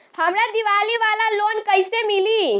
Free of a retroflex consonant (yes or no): yes